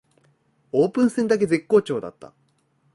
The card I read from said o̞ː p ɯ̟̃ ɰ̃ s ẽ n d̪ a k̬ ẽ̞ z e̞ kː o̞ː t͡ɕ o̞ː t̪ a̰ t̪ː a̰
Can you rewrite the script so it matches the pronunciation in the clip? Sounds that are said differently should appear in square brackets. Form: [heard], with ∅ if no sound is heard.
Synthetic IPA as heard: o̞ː p ɯ̟̃ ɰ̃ s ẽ n d̪ a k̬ [e̞] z e̞ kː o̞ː t͡ɕ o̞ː [d̪] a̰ t̪ː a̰